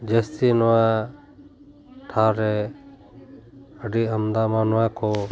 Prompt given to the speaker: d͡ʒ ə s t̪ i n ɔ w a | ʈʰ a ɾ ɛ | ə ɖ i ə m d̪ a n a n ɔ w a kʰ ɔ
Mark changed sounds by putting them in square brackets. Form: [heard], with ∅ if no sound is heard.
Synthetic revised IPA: d͡ʒ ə s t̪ i n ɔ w a | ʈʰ a ɾ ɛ | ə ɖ i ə m d̪ a [m] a n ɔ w a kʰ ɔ